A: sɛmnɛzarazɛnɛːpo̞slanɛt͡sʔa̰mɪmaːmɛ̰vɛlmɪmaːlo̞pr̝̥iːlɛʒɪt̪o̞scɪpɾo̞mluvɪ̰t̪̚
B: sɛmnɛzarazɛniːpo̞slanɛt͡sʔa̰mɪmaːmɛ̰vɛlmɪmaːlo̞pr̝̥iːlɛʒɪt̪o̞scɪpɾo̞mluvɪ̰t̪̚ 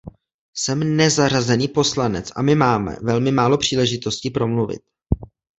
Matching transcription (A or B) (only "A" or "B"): B